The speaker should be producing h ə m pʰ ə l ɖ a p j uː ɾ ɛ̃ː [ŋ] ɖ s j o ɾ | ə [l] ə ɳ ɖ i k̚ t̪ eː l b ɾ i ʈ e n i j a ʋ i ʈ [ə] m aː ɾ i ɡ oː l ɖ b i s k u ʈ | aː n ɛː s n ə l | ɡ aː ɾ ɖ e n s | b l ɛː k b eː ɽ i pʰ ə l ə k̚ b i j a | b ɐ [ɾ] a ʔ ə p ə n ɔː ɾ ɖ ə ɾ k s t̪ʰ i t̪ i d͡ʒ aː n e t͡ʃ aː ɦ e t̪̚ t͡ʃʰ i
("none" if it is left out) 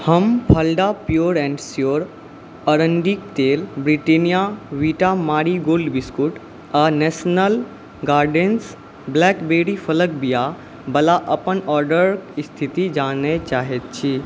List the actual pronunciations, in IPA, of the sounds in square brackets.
ɳ, ɾ, a, l

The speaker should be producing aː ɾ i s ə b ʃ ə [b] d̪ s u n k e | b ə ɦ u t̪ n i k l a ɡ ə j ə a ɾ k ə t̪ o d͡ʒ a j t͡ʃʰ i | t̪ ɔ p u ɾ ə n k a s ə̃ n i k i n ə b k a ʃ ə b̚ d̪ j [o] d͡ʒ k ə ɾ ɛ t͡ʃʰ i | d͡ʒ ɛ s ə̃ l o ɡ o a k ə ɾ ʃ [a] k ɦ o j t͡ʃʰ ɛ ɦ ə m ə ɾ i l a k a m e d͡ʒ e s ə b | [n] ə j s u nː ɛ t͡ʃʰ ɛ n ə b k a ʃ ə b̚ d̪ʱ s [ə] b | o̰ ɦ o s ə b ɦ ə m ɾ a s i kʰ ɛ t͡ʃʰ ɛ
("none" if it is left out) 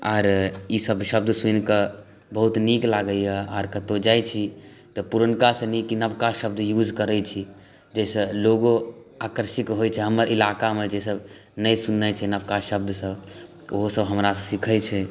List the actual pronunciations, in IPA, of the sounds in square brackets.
b, u, i, n, ə

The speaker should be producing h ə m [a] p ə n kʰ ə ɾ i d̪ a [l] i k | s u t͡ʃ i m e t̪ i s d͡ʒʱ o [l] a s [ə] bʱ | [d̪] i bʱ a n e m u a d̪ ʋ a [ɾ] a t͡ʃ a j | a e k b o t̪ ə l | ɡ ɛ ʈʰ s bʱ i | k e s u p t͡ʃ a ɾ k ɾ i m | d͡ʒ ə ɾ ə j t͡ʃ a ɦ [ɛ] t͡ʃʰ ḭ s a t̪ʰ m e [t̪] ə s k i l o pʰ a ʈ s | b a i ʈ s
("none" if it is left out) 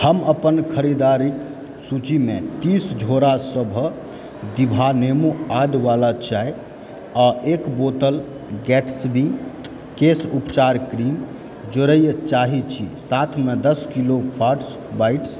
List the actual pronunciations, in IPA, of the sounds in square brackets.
ə, ɾ, ɾ, ə, d̪, l, i, d̪

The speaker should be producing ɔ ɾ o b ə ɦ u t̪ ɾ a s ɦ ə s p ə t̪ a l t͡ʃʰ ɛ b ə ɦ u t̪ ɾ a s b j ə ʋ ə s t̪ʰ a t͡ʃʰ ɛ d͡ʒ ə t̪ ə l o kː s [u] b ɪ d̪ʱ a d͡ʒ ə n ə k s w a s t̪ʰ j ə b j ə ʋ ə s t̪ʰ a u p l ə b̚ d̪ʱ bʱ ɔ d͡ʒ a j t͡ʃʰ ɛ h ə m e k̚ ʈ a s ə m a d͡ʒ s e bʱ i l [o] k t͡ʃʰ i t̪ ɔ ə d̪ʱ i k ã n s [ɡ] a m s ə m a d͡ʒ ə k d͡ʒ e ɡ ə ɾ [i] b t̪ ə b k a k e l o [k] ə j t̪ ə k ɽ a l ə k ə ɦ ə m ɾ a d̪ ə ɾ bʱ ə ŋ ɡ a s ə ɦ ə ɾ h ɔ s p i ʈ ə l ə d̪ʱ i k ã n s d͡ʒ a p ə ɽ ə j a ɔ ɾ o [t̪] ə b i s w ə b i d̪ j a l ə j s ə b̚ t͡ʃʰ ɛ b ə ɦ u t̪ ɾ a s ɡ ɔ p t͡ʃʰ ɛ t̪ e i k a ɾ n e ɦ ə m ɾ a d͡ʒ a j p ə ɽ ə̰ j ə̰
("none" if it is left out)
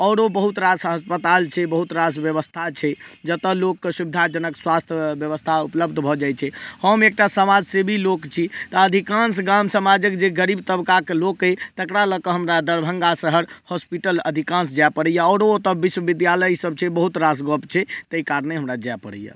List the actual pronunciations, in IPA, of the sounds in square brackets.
u, o, ɡ, i, k, t̪

